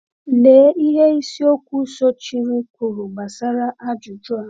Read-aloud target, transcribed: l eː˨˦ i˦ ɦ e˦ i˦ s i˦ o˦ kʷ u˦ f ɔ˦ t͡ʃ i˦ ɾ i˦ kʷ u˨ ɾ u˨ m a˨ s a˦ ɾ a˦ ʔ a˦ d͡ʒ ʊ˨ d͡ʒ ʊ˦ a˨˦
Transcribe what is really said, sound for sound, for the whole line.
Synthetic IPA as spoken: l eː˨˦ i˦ ɦ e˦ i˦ s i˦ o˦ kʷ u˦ s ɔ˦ t͡ʃ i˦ ɾ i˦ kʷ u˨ ɾ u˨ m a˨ s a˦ ɾ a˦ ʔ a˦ d͡ʒ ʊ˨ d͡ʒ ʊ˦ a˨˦

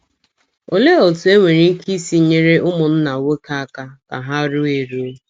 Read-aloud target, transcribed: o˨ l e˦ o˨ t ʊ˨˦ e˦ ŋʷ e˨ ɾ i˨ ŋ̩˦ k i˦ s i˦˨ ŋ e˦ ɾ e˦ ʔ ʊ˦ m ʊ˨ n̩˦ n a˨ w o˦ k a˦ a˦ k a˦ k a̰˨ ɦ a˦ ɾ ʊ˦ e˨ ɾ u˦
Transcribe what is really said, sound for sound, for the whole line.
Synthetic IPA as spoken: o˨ l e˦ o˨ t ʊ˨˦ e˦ ŋʷ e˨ ɾ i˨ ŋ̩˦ k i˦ s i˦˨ ɲ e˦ ɾ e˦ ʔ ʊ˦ m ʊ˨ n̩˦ n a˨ w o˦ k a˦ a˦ k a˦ k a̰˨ ɦ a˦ ɾ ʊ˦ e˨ ɾ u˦

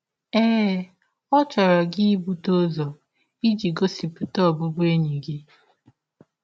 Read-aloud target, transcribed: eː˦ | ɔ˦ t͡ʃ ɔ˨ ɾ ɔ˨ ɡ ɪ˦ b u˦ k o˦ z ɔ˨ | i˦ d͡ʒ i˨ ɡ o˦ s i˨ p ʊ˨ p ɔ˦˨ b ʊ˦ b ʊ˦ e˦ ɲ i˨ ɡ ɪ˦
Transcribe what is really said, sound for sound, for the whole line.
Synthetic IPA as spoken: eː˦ | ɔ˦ t͡ʃ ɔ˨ ɾ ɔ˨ ɡ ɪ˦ b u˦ t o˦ z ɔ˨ | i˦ d͡ʒ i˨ ɡ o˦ s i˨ p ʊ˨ t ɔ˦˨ b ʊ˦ b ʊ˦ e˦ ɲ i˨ ɡ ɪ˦

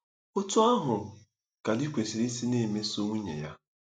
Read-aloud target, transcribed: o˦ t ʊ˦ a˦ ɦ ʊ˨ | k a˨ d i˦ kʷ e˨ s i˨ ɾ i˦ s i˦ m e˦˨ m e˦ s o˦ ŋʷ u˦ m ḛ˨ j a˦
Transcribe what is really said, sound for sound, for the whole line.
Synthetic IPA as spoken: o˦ t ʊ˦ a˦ ɦ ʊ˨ | k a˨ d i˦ kʷ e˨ s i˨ ɾ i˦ s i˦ n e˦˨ m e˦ s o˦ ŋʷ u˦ ɲ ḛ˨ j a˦

